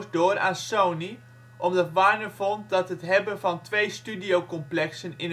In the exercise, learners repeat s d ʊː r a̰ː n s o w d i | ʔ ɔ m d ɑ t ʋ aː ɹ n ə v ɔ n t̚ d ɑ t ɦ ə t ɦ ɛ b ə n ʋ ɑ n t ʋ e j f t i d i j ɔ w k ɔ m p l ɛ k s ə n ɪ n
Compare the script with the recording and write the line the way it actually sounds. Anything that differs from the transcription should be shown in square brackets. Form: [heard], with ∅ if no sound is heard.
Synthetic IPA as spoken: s d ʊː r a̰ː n s o w [n] i | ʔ ɔ m d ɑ t ʋ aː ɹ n ə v ɔ n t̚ d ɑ t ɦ ə t ɦ ɛ b ə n [v] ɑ n t ʋ e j [s] t [y] d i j [o] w k ɔ m p l ɛ k s ə n ɪ n